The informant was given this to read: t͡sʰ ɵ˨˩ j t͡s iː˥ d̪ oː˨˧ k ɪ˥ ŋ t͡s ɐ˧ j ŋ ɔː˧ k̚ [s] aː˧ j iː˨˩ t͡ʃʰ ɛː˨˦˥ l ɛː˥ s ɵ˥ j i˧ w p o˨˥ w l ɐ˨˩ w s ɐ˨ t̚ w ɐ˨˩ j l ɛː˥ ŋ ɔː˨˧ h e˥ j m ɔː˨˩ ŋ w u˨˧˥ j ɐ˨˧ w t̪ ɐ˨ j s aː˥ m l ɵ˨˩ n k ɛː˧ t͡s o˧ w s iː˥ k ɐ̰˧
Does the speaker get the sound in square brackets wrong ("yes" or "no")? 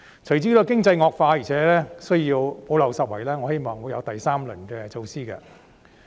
yes